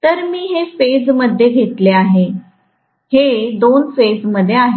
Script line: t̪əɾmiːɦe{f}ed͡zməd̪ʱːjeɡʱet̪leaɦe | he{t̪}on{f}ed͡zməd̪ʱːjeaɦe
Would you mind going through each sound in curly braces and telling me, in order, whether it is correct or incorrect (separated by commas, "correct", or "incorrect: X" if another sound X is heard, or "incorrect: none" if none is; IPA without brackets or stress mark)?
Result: correct, incorrect: d̪, correct